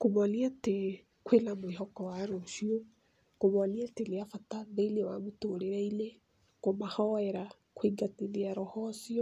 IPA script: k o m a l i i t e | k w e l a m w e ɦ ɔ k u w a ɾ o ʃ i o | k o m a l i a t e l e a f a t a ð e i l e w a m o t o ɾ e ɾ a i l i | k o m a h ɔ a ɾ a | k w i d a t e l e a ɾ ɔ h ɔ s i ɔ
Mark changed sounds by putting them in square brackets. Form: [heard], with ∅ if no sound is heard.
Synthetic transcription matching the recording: k o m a l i [a] t e | k w e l a m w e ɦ ɔ k [ɔ] w a ɾ o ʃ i o | k o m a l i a t e l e a f a t a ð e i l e w a m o t o ɾ e ɾ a i l [e] | k o m a h ɔ [ɛ] ɾ a | k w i [ɡ] a t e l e a ɾ ɔ h ɔ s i ɔ